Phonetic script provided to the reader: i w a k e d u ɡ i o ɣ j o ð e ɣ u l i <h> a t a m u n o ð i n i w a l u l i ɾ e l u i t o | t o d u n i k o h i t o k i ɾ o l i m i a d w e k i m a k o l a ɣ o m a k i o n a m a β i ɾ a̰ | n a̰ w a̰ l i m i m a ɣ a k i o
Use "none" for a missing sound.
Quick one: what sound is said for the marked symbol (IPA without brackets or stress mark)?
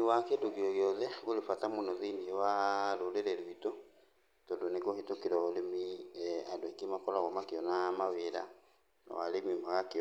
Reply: f